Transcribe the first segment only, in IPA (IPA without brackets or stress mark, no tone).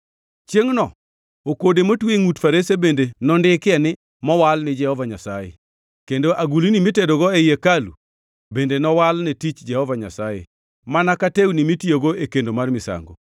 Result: t͡ʃ